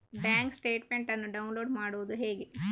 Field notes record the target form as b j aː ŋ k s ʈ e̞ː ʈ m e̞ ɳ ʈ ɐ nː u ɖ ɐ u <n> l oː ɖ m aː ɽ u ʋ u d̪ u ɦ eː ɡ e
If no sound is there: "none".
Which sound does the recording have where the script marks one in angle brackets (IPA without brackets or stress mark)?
n